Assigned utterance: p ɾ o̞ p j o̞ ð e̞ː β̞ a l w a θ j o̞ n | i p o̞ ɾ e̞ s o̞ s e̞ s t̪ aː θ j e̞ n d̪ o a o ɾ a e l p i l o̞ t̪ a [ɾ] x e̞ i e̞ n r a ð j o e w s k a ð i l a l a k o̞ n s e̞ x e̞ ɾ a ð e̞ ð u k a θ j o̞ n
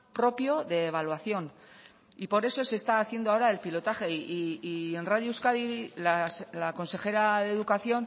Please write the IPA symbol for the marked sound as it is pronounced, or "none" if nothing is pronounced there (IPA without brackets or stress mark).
none